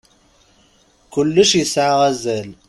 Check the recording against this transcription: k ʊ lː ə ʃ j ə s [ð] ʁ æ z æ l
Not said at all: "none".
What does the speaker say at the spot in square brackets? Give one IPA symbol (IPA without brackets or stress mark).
ʕ